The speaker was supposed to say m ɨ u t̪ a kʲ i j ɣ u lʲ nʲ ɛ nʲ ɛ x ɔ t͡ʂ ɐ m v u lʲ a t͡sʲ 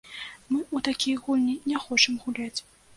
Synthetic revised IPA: m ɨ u t̪ a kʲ i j ɣ u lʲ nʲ i nʲ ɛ x ɔ t͡ʂ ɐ m ɣ u lʲ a t͡sʲ